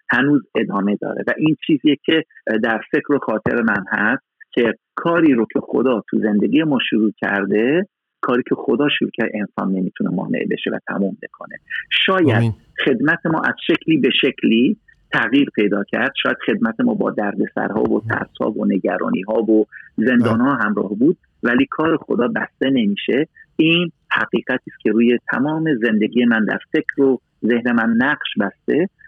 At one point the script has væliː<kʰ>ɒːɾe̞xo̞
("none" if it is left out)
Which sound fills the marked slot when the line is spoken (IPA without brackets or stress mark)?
kʰ